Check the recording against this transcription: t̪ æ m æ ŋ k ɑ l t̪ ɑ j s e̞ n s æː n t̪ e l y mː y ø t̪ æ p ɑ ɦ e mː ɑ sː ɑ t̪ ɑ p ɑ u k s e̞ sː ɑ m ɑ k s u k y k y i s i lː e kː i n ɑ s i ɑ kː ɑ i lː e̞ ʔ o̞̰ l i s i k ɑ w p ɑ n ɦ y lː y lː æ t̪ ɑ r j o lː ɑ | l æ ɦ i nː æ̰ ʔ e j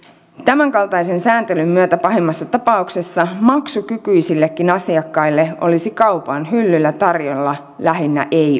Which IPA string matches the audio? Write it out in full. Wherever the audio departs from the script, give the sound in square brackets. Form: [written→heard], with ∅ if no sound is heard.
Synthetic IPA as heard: t̪ æ m æ ŋ k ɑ l t̪ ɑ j s e̞ n s æː n t̪ e l y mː y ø t̪ æ p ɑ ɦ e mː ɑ sː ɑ t̪ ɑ p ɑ u k s e̞ sː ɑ m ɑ k s u k y k y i s i lː e kː i n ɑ s i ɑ kː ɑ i lː e̞ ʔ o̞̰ l i s i k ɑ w p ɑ n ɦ y lː y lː æ t̪ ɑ r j o lː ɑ | l æ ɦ i nː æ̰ ʔ e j

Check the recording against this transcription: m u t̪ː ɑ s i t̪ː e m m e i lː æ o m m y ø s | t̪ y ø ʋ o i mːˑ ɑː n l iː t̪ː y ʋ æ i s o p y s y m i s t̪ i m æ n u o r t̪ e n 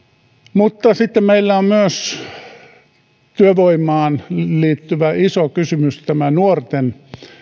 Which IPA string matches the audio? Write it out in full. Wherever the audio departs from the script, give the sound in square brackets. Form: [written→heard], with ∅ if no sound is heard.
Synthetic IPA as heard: m u t̪ː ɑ s i t̪ː e m m e i lː æ o m m y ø s | t̪ y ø ʋ o i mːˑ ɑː n l iː t̪ː y ʋ æ i s o [p→k] y s y m [i→y] s t̪ [i→æ] m æ n u o r t̪ e n

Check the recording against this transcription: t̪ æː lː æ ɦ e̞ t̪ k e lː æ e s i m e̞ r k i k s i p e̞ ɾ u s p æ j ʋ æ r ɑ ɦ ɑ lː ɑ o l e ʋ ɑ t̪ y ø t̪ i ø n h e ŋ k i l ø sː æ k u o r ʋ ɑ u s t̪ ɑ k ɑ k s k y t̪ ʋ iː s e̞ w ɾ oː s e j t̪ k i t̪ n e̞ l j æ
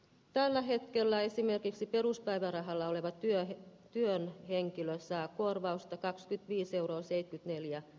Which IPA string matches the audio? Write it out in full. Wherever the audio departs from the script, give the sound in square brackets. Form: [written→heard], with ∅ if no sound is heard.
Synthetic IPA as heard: t̪ [æː→æ] lː æ ɦ e̞ t̪ k e lː æ e s i m e̞ r k i k s i p e̞ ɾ u s p æ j ʋ æ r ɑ ɦ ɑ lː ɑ o l e ʋ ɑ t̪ y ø t̪ [i→y] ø n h e ŋ k i l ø sː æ k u o r ʋ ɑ u s t̪ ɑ k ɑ k s k y t̪ ʋ iː s e̞ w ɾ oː s e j t̪ k [i→y] t̪ n e̞ l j æ

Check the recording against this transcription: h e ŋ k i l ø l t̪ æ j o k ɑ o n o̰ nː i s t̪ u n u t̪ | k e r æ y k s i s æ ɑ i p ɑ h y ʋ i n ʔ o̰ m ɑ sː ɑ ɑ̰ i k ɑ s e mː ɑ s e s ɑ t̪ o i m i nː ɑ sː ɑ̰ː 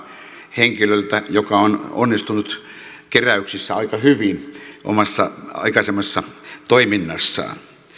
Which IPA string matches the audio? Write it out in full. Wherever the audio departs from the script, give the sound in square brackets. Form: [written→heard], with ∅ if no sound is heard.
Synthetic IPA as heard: h e ŋ k i l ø l t̪ æ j o k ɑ o n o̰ nː i s t̪ u n u t̪ | k e r æ y k s i [s→sː] æ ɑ i [p→k] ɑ h y ʋ i n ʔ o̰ m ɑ sː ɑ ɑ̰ i k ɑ s e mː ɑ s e [s→sː] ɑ t̪ o i m i nː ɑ sː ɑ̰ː

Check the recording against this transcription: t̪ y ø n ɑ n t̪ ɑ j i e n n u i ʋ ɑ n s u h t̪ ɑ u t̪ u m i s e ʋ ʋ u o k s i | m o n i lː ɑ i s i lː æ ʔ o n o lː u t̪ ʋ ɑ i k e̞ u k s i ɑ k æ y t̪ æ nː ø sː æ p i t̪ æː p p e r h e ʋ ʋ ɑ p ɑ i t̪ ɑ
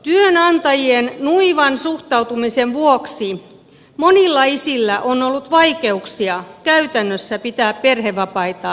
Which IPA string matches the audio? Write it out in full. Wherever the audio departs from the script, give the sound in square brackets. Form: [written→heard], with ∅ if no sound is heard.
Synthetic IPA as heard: t̪ y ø n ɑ n t̪ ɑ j i e n n u i ʋ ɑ n s u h t̪ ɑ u t̪ u m i s e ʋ ʋ u o k s i | m o n i lː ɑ i s i lː æ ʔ o n o lː u t̪ ʋ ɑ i k e̞ u k s i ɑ k æ y t̪ æ nː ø sː æ p i t̪ æː p p e r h e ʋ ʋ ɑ p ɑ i t̪ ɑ

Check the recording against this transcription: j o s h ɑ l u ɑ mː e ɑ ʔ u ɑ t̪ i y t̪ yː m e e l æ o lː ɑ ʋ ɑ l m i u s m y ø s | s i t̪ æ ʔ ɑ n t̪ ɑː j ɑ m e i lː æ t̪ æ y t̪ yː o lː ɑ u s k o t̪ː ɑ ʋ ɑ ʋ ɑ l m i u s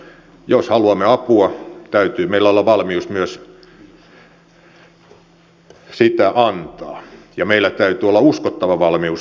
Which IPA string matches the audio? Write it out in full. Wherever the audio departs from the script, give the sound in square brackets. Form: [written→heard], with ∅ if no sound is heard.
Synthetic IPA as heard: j o s h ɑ l u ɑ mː e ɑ [ʔ→p] u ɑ t̪ [i→æ] y t̪ yː m e [e→i] l æ o lː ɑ ʋ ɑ l m i u s m y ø s | s i t̪ æ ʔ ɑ n t̪ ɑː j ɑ m e i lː æ t̪ æ y t̪ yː o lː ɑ u s k o t̪ː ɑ ʋ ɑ ʋ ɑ l m i u s

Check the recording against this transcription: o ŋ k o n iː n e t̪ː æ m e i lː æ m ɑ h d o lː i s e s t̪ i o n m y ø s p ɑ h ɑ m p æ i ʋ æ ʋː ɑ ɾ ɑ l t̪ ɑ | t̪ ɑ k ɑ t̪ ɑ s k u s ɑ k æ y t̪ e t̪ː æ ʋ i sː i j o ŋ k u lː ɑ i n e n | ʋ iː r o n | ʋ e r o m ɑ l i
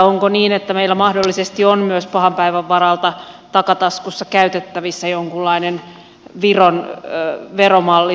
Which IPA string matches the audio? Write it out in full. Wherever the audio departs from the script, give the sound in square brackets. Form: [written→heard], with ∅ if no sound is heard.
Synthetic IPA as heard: o ŋ k o n iː n e t̪ː æ m e i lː æ m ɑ h d o lː i s e s t̪ i o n m y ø s p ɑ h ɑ m p æ i ʋ æ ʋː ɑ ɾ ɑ l t̪ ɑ | t̪ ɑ k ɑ t̪ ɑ s k u [s→sː] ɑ k æ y t̪ e t̪ː æ ʋ i sː [i→æ] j o ŋ k u lː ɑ i n e n | ʋ [iː→i] r o n | ʋ e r o m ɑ [l→lː] i

